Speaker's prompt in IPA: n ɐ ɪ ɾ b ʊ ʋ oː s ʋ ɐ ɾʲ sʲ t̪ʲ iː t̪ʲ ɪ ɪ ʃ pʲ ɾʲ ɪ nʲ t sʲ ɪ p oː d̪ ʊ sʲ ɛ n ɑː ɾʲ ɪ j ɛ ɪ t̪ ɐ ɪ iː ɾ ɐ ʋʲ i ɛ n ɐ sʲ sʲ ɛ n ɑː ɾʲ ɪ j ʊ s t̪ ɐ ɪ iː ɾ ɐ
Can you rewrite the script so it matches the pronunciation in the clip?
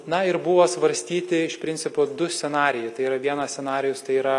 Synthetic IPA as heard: n ɐ ɪ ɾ b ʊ ʋ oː s ʋ ɐ ɾʲ sʲ t̪ʲ iː t̪ʲ ɪ ɪ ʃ pʲ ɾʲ ɪ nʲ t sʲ ɪ p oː d̪ ʊ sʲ ɛ n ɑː ɾʲ ɪ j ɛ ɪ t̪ ɐ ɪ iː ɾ ɐ ʋʲ i ɛ n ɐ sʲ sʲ ɛ n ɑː ɾʲ ɪ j ʊ s t̪ ɐ ɪ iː ɾ ɐ